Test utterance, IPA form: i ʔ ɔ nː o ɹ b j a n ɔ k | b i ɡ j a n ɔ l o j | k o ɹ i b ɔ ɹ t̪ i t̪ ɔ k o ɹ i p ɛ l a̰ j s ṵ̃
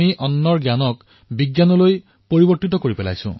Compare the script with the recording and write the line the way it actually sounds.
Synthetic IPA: i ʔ ɔ nː ɔ ɹ ɡ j a n ɔ k | b i ɡ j a n ɔ l o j | p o ɹ i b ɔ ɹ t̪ i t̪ ɔ k o ɹ i p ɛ l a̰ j s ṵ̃

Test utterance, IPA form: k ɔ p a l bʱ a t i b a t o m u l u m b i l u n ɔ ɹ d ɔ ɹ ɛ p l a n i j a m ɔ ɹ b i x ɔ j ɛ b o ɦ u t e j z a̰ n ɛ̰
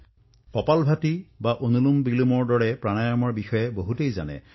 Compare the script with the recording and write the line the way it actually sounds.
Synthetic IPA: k ɔ p a l bʱ a t i b a ʔ o n u l u m b i l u m ɔ ɹ d ɔ ɹ ɛ p ɹ a n a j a m ɔ ɹ b i x ɔ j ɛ b o ɦ u t e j z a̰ n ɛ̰

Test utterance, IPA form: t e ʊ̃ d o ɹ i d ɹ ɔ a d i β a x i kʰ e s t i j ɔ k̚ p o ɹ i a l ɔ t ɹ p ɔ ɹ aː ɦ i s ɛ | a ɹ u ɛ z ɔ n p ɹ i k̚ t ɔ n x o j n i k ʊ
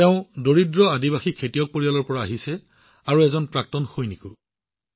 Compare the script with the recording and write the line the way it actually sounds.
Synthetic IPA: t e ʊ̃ d o ɹ i d ɹ ɔ a d i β a x i kʰ e t i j ɔ k̚ p o ɹ i a l ɔ ɹ p ɔ ɹ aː ɦ i s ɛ | a ɹ u ɛ z ɔ n p ɹ a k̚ t ɔ n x o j n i k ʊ

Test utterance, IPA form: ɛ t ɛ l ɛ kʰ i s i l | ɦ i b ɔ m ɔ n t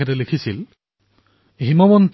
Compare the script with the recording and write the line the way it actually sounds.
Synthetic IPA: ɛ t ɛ l e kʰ i s i l | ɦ i m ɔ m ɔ n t

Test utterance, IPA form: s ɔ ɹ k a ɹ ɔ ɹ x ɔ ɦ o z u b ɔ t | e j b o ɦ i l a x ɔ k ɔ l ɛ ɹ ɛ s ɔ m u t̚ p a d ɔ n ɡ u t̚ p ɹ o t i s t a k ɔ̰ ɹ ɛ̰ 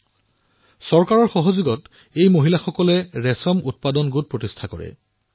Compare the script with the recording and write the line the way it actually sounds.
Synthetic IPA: s ɔ ɹ k a ɹ ɔ ɹ x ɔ ɦ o z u ɡ ɔ t | e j m o ɦ i l a x ɔ k ɔ l ɛ ɹ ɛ s ɔ m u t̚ p a d ɔ n ɡ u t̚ p ɹ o t i s tʰ a k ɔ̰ ɹ ɛ̰

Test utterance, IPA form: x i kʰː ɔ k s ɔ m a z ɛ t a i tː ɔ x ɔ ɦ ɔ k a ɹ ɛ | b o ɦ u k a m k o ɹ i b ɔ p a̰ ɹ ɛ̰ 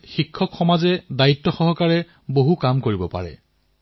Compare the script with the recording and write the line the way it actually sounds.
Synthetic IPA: x i kʰː ɔ k x ɔ m a z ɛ d a i tː ɔ x ɔ ɦ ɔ k a ɹ ɛ | b o ɦ u k a m k o ɹ i b ɔ p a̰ ɹ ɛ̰

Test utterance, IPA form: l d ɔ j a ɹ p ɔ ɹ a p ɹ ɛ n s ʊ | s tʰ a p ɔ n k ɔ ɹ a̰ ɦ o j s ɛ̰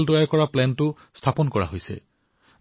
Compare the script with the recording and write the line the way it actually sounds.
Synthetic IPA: l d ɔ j a ɹ k ɔ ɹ a p l ɛ n t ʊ | s tʰ a p ɔ n k ɔ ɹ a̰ ɦ o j s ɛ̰

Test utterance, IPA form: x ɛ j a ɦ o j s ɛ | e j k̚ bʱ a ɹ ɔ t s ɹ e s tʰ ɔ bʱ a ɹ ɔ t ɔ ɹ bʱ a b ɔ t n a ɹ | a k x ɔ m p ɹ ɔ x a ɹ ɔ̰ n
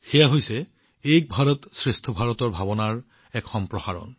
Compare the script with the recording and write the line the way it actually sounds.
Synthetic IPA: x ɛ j a ɦ o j s ɛ | e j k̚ bʱ a ɹ ɔ t s ɹ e s tʰ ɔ bʱ a ɹ ɔ t ɔ ɹ bʱ a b ɔ n a ɹ | ɛ k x ɔ m p ɹ ɔ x a ɹ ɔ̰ n

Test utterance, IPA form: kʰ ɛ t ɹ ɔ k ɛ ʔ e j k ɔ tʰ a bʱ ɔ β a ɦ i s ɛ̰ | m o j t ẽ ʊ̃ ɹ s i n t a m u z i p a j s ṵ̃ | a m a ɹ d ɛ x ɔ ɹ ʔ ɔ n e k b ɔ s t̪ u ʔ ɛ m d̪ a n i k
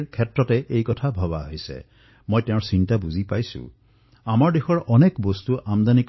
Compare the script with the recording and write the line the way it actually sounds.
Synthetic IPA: kʰ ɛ t ɹ ɔ t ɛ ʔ e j k ɔ tʰ a bʱ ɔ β a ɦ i s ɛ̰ | m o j t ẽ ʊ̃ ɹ s i n t a b u z i p a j s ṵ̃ | a m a ɹ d e x ɔ ɹ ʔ ɔ n e k b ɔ s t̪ u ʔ a m d̪ a n i k

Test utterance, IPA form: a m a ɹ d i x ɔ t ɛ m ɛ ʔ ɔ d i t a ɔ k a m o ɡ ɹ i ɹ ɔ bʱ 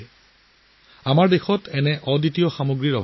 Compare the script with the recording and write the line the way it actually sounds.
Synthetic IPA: a m a ɹ d e x ɔ t ɛ n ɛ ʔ ɔ d i t i ɔ x a m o ɡ ɹ i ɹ ɔ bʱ

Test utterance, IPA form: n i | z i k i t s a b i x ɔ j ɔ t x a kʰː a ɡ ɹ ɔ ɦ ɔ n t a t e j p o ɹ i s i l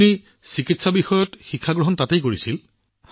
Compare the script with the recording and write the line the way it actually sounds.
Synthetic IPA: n i | s i k i t s a b i x ɔ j ɔ t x i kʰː a ɡ ɹ ɔ ɦ ɔ n t a t e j k o ɹ i s i l

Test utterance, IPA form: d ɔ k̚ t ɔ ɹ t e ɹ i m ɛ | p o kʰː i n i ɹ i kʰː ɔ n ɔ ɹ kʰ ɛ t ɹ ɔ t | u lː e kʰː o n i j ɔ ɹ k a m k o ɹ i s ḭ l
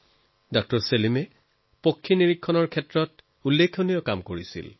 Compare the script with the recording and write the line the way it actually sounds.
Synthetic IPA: d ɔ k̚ t ɔ ɹ s e l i m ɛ | p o kʰː i n i ɹ i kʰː ɔ n ɔ ɹ kʰ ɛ t ɹ ɔ t | u lː e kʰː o n i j ɔ k a m k o ɹ i s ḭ l

